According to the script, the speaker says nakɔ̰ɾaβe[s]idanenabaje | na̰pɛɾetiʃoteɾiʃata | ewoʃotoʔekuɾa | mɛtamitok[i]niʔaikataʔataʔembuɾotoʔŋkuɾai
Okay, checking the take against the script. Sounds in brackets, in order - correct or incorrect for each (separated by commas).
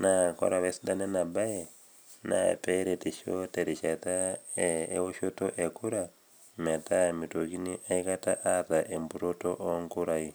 correct, correct